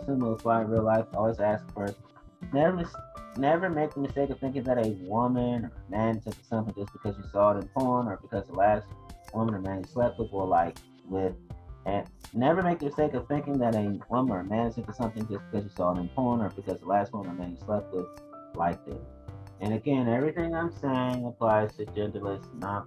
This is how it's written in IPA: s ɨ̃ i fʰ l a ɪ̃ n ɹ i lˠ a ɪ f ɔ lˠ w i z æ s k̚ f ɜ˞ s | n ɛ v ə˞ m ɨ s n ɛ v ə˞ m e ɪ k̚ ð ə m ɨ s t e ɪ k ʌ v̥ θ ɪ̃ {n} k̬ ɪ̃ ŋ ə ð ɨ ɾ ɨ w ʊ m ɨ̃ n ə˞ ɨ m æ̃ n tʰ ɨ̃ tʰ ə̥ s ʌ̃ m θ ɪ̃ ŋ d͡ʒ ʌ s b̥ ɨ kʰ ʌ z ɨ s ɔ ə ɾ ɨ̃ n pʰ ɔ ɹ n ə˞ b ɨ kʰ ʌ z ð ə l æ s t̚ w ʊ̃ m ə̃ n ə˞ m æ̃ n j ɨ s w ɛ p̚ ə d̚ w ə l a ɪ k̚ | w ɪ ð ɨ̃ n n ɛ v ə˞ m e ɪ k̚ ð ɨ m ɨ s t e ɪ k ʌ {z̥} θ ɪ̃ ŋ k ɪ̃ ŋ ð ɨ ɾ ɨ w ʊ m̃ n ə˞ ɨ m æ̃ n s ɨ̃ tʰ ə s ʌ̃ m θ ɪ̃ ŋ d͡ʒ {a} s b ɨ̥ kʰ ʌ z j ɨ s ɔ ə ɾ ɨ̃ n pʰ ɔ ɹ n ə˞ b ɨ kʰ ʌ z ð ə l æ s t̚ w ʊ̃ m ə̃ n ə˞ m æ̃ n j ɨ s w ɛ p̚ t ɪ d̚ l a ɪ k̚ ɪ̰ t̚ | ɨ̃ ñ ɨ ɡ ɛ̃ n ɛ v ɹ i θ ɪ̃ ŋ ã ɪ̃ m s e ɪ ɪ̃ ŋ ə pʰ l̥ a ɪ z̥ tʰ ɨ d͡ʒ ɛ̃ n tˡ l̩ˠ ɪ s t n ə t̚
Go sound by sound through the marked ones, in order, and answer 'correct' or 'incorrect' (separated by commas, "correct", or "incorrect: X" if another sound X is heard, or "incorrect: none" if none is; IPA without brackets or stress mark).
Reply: incorrect: ŋ, incorrect: v̥, incorrect: ʌ